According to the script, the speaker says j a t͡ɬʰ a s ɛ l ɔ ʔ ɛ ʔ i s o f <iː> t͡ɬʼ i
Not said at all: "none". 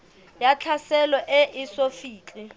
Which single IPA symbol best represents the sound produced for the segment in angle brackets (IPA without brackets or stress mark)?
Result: iː